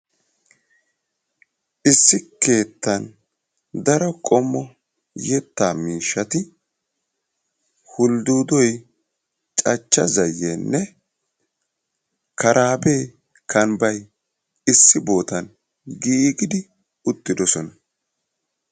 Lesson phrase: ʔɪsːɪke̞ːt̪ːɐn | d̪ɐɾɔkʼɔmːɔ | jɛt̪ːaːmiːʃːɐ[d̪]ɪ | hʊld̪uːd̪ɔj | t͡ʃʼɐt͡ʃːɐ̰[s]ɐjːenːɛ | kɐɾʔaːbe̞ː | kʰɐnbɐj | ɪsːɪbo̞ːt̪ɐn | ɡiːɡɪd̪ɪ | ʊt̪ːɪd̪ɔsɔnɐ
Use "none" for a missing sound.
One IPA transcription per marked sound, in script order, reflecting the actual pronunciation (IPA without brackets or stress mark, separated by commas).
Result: t̪, z